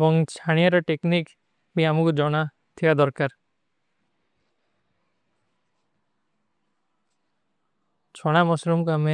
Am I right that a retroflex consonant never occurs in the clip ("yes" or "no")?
no